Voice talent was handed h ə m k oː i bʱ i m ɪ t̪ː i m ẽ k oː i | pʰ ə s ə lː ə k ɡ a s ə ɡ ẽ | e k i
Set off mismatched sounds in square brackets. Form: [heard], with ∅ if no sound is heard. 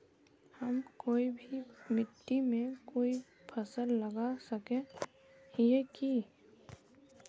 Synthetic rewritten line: h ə m k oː i bʱ i m ɪ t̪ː i m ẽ k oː i | pʰ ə s ə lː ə [∅] ɡ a s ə [k] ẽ | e k i